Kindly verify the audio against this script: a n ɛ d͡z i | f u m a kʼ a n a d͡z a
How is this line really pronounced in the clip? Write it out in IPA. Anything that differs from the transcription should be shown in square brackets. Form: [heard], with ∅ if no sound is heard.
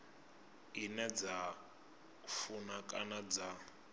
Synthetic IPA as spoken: [i] n ɛ d͡z [a] | f u [n] a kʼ a n a d͡z a